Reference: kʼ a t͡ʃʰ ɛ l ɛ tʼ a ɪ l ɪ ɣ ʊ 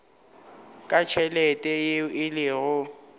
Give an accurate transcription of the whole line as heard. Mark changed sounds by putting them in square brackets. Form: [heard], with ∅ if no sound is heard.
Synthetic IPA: kʼ a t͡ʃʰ ɛ l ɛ tʼ [ɛ] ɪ l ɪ ɣ ʊ